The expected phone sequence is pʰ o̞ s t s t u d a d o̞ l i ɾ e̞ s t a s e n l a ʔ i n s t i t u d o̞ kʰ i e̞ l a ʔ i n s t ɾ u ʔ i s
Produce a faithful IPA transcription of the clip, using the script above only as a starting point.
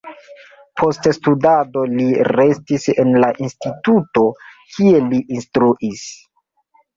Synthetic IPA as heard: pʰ o̞ s t s t u d a d o̞ l i ɾ e̞ s t i s e n l a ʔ i n s t i t u t o̞ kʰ i e̞ l i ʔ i n s t ɾ u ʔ i s